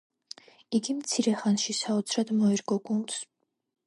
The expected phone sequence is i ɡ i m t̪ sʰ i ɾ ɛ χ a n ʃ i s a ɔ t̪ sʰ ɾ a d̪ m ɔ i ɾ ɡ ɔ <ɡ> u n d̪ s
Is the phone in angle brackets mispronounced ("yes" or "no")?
no